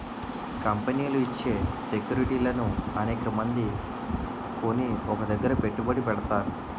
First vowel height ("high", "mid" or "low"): low